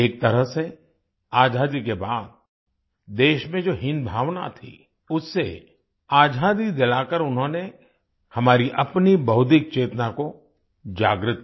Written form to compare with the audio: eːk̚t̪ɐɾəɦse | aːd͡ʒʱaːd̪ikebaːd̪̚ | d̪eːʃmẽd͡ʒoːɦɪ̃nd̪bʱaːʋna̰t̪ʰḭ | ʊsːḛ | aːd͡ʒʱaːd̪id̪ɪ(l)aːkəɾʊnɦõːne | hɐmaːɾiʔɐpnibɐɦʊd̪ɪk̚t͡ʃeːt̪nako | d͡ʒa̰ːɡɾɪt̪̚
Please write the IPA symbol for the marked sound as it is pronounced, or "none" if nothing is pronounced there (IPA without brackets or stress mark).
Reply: l